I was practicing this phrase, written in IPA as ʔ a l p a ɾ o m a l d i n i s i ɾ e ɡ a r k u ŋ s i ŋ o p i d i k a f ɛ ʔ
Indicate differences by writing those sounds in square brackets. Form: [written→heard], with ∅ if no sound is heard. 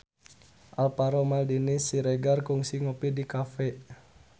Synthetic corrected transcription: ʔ a l p a ɾ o m a l d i n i s i ɾ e ɡ a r k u ŋ s i ŋ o p i d i k a f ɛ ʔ

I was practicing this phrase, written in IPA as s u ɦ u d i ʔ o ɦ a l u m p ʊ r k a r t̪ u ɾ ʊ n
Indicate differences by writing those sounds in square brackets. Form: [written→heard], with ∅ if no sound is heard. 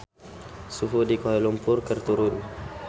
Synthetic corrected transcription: s u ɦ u d i [ʔ→k] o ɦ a l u m p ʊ r k [a→ə] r t̪ u ɾ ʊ n

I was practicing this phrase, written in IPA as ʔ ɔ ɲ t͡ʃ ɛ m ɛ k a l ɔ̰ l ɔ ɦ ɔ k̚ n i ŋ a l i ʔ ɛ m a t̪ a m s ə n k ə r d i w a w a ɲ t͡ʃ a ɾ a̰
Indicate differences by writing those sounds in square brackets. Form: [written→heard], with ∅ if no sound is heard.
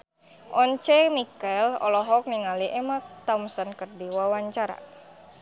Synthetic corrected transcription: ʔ ɔ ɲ t͡ʃ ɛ m [ɛ→i] k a l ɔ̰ l ɔ ɦ ɔ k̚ n i ŋ a l i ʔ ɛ m a t̪ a m s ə n k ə r d i w a w a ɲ t͡ʃ a ɾ a̰

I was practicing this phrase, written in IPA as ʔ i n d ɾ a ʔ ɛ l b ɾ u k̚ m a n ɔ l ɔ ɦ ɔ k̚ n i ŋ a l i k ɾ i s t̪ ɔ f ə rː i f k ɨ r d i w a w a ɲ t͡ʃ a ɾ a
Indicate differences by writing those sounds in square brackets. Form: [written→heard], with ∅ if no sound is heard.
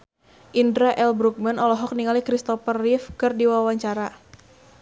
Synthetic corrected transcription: ʔ i n d ɾ a ʔ ɛ l b ɾ u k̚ m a n ɔ l ɔ ɦ ɔ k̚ n i ŋ a l i k ɾ i s t̪ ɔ f ə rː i f k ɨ r d i w a w a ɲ t͡ʃ a ɾ a

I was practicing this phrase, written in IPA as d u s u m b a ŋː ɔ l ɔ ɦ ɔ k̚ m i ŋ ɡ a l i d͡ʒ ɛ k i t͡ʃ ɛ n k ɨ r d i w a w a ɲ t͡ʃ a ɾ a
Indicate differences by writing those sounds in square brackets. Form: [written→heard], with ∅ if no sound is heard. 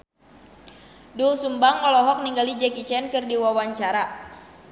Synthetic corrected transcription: d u s u m b a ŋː ɔ l ɔ ɦ ɔ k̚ [m→n] i ŋ ɡ a l i d͡ʒ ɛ k i t͡ʃ ɛ n k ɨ r d i w a w a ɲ t͡ʃ a ɾ a

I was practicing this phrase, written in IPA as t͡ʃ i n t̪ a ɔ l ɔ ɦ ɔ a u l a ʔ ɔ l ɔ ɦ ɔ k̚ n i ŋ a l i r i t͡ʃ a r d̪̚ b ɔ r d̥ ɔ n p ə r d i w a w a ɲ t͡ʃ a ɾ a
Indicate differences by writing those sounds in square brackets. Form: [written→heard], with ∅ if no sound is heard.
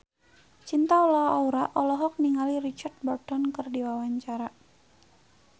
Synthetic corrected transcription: t͡ʃ i n t̪ a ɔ l ɔ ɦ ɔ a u [l→ɾ] a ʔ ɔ l ɔ ɦ ɔ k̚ n i ŋ a l i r i t͡ʃ a r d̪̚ b ɔ r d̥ ɔ n [p→k] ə r d i w a w a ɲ t͡ʃ a ɾ a

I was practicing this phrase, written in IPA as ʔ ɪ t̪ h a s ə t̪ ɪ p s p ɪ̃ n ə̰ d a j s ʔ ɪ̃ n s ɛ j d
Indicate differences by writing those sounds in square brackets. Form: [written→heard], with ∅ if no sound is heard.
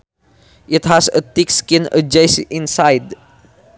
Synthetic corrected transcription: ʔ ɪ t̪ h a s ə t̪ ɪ [p→k] s [p→k] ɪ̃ n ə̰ [d→d͡ʒ] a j s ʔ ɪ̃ n s [ɛ→a] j d

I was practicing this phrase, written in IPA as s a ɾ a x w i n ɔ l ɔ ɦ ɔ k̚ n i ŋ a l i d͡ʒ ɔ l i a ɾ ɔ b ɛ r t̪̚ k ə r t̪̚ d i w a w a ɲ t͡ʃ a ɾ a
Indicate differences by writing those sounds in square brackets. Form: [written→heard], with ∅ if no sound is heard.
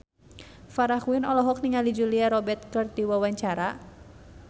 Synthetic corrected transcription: [s→f] a ɾ a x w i n ɔ l ɔ ɦ ɔ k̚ n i ŋ a l i d͡ʒ [ɔ→u] l i a ɾ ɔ b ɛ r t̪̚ k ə r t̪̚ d i w a w a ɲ t͡ʃ a ɾ a

